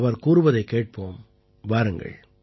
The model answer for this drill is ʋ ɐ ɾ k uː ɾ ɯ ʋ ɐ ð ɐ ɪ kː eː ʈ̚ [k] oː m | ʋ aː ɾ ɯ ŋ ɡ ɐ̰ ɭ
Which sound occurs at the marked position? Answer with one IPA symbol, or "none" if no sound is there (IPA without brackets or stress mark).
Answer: p